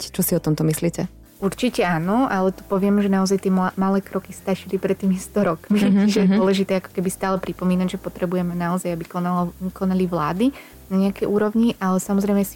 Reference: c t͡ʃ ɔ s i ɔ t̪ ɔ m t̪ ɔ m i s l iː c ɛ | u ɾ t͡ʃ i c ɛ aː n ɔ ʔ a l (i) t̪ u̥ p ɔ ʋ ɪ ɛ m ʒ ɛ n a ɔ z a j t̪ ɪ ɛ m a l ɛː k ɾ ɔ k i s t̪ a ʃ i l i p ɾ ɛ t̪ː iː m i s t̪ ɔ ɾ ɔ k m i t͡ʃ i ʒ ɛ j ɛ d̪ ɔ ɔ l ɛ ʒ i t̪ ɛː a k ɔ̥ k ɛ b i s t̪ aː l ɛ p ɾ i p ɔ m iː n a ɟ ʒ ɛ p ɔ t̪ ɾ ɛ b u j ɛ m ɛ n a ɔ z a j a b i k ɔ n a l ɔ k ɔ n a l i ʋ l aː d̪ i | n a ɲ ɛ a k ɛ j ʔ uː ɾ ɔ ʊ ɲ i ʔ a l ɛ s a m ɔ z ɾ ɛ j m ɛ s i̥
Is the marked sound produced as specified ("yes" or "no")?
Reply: no